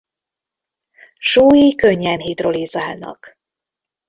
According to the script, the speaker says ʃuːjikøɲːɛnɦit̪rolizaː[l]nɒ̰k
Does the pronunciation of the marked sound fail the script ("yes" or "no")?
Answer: no